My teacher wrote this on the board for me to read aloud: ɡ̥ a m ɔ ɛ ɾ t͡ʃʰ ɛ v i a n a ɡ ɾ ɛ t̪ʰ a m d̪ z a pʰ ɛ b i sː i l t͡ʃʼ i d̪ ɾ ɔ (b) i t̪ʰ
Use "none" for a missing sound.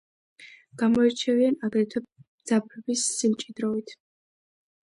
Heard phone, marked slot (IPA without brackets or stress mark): v